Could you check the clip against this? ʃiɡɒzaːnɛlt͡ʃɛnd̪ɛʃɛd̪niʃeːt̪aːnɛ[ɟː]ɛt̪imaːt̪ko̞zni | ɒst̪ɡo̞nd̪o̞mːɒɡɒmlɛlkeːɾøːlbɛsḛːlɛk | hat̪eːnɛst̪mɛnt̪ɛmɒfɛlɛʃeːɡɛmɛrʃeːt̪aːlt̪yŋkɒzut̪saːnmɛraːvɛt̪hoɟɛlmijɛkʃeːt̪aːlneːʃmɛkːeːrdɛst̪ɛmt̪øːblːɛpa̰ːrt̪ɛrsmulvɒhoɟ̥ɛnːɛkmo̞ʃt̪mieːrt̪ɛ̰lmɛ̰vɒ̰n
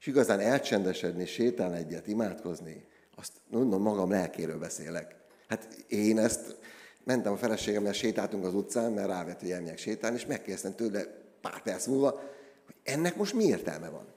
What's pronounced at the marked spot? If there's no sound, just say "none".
ɟː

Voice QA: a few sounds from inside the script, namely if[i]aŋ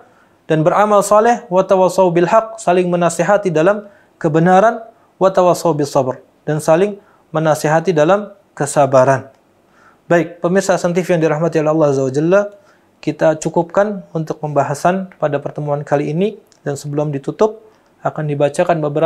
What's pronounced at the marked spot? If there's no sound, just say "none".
j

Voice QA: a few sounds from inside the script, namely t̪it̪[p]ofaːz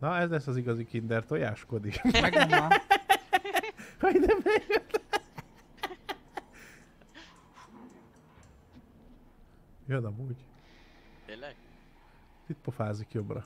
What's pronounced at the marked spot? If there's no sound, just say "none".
p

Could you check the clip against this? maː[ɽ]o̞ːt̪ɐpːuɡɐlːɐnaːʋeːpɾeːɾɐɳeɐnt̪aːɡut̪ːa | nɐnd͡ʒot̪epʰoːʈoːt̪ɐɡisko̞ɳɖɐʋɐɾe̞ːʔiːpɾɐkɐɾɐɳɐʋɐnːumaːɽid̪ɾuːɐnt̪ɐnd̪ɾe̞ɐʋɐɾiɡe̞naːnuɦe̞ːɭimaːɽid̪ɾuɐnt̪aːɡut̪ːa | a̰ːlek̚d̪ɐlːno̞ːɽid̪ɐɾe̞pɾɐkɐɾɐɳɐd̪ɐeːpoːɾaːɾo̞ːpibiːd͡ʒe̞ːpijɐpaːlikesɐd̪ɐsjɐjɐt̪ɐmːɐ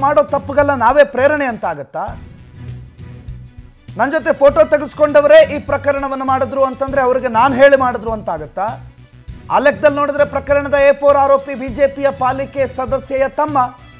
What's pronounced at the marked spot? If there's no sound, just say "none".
ɽ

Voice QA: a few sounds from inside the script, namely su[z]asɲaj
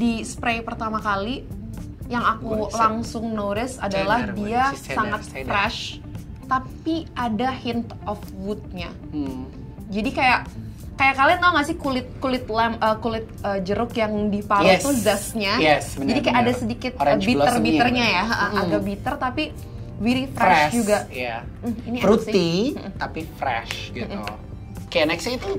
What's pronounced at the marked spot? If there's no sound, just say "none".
z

